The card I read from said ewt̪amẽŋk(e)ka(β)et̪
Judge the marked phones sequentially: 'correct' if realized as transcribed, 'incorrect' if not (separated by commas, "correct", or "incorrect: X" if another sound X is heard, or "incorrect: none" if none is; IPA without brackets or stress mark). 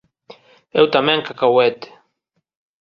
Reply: incorrect: a, incorrect: w